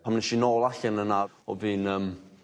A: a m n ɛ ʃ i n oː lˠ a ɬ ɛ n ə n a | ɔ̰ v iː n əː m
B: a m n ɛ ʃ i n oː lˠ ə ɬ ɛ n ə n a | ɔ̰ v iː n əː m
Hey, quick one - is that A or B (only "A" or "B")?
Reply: A